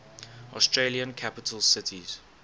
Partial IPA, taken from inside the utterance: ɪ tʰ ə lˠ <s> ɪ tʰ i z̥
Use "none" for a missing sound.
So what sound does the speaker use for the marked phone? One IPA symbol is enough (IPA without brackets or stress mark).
s